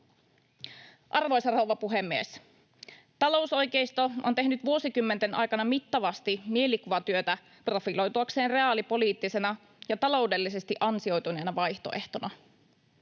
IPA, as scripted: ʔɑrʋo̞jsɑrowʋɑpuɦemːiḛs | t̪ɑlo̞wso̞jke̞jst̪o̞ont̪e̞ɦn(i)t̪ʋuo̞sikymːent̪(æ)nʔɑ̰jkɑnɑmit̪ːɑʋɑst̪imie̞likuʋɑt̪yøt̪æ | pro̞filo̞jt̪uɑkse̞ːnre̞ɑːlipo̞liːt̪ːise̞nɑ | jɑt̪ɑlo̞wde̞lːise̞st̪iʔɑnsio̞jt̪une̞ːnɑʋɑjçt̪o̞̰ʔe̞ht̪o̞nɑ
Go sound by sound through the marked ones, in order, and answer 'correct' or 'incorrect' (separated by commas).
incorrect, incorrect